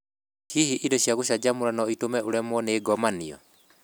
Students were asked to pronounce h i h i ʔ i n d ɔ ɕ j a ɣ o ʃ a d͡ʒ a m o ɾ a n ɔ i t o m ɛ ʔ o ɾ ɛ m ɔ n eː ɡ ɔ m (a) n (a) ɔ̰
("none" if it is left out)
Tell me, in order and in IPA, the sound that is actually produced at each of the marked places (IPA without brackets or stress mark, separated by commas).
a, i